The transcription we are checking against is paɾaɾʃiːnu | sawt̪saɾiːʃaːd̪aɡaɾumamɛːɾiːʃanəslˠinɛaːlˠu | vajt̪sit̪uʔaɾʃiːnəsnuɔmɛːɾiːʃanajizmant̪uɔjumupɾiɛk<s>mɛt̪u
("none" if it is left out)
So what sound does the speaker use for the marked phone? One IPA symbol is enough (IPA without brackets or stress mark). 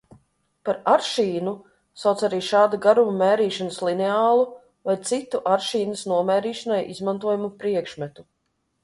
ʃ